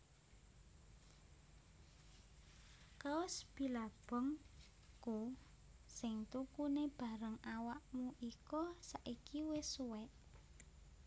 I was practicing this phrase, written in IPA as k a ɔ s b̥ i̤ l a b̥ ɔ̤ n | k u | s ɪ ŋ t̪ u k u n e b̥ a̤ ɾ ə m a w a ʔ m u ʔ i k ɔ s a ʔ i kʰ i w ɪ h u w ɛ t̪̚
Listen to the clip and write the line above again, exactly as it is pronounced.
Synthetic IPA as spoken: k a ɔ s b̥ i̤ l a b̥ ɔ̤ ŋ | k u | s ɪ ŋ t̪ u k u n e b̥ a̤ ɾ ə ŋ a w a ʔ m u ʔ i k ɔ s a ʔ i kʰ i w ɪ s u w ɛ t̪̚